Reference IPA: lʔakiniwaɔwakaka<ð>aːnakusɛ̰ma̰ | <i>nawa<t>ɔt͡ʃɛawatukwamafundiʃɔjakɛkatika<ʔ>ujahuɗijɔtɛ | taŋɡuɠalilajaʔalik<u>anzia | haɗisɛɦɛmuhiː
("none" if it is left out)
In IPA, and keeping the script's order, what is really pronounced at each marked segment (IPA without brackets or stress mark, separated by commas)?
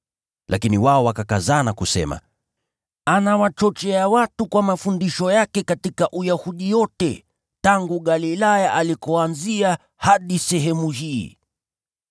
z, a, t͡ʃ, ʔ, ɔ